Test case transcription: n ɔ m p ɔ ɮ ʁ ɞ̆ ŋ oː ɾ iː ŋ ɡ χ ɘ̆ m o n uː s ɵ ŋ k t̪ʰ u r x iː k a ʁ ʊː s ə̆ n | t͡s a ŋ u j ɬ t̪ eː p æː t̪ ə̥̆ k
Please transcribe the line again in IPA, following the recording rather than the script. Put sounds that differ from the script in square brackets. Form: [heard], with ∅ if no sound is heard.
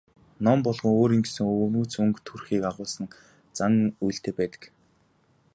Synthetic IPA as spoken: n ɔ m p ɔ ɮ ʁ ɞ̆ ŋ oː ɾ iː ŋ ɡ [s] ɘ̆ [ŋ] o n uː [t͡s] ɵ ŋ k t̪ʰ u r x iː k a ʁ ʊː s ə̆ n | t͡s a ŋ u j ɬ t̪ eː p æː t̪ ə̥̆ k